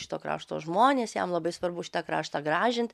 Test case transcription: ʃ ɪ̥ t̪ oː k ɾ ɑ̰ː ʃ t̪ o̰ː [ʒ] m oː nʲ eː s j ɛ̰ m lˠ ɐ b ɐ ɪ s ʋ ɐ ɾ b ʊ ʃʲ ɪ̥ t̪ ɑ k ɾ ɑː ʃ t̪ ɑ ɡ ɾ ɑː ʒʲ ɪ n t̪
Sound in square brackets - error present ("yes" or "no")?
no